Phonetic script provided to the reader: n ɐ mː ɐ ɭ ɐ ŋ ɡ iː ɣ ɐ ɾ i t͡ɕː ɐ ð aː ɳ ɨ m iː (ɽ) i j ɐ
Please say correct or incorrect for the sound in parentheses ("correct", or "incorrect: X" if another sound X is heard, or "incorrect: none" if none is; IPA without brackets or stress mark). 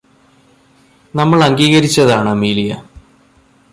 incorrect: l